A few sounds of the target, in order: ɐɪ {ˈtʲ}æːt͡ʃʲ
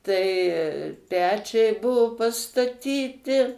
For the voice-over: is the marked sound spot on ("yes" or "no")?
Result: no